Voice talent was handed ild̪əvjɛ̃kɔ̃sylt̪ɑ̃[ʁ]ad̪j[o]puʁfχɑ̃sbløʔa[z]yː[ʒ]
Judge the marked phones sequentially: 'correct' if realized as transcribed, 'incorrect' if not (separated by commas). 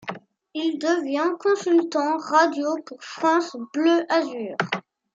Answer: correct, correct, correct, incorrect